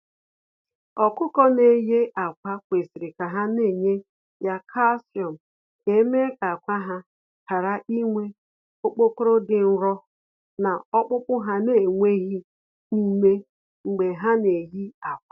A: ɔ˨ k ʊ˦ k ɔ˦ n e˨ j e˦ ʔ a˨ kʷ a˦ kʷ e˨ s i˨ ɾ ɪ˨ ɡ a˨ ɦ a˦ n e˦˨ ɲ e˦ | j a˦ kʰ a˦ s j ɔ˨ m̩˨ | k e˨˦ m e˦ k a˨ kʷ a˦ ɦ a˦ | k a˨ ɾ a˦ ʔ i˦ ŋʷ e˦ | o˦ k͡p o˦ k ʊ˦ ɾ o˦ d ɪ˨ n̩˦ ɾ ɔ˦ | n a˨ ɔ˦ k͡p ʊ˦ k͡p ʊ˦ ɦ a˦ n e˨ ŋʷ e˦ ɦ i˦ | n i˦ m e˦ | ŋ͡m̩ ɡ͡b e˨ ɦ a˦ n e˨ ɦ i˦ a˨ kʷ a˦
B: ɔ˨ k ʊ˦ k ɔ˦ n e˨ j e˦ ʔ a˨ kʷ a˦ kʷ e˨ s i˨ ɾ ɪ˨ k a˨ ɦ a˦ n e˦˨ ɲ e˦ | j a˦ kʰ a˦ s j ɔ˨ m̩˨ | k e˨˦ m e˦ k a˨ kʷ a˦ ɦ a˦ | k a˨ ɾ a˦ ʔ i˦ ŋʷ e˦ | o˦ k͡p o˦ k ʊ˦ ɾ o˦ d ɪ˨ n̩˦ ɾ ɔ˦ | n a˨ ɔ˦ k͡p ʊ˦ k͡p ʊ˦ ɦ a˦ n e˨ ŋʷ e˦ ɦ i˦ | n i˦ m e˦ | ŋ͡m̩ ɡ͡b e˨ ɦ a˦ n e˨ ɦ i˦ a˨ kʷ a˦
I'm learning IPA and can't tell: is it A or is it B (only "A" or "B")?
B